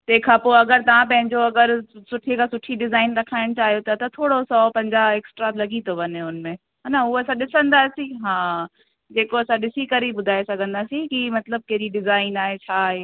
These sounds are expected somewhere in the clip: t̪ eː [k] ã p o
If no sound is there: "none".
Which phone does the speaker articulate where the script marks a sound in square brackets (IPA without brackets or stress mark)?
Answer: kʰ